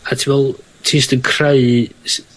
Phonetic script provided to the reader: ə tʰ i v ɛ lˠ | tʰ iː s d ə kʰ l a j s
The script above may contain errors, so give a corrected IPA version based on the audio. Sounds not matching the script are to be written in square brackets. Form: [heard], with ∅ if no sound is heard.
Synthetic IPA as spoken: [a] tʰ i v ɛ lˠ | tʰ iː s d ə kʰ [r] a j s